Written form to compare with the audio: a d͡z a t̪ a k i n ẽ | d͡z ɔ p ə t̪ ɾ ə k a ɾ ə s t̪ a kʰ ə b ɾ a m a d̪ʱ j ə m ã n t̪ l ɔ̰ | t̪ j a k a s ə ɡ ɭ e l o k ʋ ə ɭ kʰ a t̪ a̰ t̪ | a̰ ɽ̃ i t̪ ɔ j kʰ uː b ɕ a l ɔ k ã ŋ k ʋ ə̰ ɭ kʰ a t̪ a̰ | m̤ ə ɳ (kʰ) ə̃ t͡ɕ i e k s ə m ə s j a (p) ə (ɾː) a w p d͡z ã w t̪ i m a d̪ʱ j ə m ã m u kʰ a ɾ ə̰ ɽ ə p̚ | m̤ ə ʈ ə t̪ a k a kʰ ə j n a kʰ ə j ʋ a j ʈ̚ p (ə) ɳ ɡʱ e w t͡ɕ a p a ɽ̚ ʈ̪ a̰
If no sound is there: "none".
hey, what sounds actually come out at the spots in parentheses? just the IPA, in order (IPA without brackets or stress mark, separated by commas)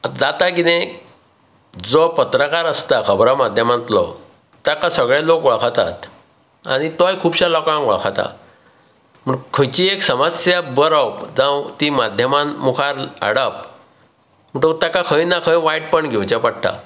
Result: kʰ, b, ɾ, ə